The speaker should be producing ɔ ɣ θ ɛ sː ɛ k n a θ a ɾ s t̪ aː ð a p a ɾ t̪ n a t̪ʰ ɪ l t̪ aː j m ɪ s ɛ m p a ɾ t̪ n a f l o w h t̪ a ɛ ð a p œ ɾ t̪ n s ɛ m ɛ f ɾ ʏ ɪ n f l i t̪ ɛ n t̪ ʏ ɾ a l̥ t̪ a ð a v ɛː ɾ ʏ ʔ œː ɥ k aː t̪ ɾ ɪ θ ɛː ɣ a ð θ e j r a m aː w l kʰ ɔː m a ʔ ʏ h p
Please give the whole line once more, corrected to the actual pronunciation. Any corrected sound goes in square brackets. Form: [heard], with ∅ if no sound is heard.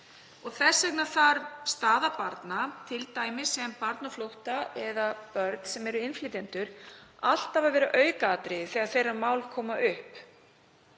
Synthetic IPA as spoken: ɔ ɣ θ ɛ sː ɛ k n a θ a ɾ s t̪ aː ð a p a ɾ t̪ n a t̪ʰ ɪ l t̪ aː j m ɪ s ɛ m p a ɾ t̪ n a f l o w h t̪ a ɛ ð a p œ ɾ t̪ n s ɛ m ɛ [∅] ɾ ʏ ɪ n f l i t̪ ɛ n t̪ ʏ ɾ a l̥ t̪ a [v] a v ɛː ɾ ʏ ʔ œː ɥ k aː t̪ ɾ ɪ θ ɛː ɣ a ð θ e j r a m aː w l kʰ ɔː m a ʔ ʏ h p